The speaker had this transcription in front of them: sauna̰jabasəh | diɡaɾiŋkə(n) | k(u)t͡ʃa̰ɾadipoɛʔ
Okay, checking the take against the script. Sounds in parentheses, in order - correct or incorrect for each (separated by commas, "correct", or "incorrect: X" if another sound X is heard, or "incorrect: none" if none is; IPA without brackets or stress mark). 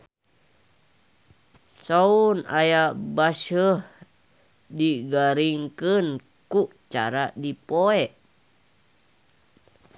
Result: correct, correct